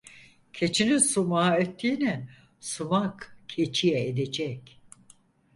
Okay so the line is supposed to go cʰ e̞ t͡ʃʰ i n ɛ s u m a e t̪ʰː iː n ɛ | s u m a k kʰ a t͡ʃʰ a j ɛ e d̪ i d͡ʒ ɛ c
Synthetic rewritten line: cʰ e̞ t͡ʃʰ i n i s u m a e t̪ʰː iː n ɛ | s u m a k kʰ e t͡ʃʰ i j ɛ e d̪ e d͡ʒ ɛ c